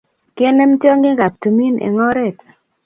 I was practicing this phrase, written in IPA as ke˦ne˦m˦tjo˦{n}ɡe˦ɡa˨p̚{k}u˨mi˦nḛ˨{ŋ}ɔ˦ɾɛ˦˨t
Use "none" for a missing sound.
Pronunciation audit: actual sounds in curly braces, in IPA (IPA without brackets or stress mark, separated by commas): ŋ, t, ŋ